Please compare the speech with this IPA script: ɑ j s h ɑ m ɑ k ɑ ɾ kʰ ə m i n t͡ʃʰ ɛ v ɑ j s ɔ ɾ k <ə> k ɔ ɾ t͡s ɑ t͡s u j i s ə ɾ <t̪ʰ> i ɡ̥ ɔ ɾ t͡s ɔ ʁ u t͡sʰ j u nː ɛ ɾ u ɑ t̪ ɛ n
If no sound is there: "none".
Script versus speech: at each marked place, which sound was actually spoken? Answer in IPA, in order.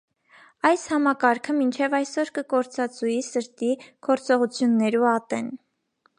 ə, t̪

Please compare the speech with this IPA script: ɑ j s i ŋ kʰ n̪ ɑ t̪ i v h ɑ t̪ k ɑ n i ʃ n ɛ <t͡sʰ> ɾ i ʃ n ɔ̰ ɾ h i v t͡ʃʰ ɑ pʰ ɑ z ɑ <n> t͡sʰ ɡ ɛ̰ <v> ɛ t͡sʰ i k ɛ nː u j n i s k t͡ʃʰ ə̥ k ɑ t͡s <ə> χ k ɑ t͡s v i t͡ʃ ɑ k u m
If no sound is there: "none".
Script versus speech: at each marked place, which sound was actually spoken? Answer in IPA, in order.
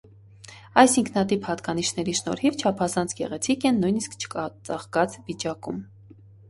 none, n, ʁ, ɑ

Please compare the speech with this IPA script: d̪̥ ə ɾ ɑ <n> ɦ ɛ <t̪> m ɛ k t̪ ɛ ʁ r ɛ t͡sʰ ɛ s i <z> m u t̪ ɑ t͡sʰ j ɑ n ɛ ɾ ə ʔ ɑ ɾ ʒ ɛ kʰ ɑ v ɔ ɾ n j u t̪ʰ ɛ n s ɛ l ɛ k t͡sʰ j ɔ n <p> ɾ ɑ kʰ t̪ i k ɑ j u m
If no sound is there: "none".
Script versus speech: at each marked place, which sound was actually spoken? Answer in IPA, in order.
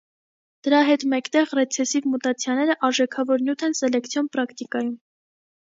none, t̪, v, p

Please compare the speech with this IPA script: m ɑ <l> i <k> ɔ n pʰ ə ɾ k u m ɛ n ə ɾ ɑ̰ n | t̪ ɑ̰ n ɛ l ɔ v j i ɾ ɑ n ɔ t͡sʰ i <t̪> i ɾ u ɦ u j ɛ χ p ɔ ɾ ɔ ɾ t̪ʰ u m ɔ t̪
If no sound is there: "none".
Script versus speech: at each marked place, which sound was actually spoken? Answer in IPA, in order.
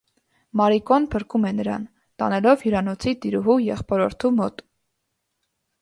ɾ, k, t̪

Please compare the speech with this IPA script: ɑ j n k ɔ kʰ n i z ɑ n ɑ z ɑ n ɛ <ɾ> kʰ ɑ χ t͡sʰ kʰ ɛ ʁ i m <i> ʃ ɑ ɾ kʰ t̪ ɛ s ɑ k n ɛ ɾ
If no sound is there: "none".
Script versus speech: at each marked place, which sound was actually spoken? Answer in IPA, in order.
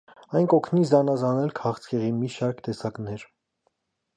l, i

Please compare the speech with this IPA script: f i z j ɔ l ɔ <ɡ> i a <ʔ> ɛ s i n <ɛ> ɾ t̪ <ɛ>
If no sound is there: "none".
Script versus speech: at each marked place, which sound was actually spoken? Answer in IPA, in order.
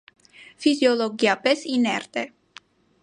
ɡ, p, ɛ, ɛ

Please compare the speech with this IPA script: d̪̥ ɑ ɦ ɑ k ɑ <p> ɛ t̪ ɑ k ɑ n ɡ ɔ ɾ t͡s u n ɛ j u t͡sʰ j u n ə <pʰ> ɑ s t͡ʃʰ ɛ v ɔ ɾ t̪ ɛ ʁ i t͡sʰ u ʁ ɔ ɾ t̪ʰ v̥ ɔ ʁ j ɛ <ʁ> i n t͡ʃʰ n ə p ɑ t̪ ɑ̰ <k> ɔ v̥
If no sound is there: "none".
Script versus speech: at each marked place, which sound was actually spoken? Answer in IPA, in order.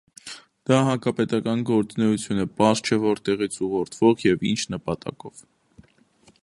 p, p, v, k

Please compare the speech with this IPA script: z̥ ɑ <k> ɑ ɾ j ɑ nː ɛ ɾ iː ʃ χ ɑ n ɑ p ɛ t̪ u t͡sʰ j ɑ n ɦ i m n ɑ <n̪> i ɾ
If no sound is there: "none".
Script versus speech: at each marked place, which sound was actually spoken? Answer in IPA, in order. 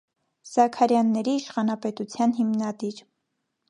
kʰ, d̪

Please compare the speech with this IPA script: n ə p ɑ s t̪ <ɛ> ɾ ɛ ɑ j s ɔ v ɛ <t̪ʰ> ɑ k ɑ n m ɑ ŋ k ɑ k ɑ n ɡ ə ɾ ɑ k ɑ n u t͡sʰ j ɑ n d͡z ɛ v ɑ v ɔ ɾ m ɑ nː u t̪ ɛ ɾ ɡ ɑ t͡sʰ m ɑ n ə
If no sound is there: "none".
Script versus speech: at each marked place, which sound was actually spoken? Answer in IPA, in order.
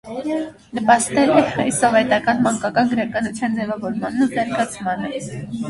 ɛ, t̪

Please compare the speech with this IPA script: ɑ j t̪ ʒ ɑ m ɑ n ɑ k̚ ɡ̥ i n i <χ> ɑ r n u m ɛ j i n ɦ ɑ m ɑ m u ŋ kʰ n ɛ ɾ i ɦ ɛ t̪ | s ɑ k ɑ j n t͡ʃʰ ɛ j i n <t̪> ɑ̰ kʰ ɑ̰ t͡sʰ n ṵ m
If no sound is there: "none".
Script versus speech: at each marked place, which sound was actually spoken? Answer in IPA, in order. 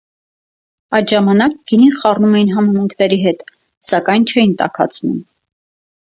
χ, t̪

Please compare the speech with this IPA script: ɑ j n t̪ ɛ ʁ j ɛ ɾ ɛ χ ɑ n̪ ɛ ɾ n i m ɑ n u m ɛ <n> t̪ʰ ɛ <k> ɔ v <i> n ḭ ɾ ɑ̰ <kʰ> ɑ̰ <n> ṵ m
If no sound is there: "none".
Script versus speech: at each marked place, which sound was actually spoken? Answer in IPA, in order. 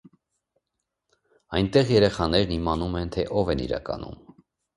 n, ʔ, ɛ, k, n

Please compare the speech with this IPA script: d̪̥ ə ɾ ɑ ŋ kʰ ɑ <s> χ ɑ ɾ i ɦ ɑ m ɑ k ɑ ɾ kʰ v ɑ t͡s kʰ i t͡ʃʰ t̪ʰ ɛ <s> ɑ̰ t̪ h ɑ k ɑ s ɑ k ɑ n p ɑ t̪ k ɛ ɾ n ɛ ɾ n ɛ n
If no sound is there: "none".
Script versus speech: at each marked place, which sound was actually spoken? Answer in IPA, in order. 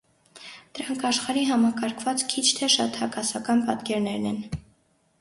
ʃ, ʃ

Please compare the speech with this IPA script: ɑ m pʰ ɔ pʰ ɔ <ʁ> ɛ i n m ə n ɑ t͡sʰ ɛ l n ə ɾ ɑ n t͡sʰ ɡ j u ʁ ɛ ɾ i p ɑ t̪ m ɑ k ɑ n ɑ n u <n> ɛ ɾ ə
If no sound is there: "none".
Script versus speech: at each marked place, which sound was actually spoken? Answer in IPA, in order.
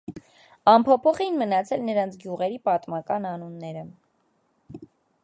χ, nː

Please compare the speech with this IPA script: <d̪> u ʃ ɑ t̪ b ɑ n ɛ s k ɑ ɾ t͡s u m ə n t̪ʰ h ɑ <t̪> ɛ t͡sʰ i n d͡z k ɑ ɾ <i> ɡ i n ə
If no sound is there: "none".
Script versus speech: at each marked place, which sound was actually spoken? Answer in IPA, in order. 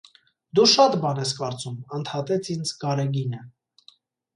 d̪, t̪, ɛ

